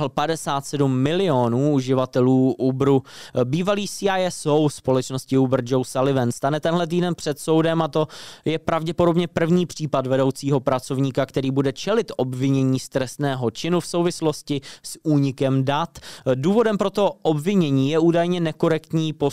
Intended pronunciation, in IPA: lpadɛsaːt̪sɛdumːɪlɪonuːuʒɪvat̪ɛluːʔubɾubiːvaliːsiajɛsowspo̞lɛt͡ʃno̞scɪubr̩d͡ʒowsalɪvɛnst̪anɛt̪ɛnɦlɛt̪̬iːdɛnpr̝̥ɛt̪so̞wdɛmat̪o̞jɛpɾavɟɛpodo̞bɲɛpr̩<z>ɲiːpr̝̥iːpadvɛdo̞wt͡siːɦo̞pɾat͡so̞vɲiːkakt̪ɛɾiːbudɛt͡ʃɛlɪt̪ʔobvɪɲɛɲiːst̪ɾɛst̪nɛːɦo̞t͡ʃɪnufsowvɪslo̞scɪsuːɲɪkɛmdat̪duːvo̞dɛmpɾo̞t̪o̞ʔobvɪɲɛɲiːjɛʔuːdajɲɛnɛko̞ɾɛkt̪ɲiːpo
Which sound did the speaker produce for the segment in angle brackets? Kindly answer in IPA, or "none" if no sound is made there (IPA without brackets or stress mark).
v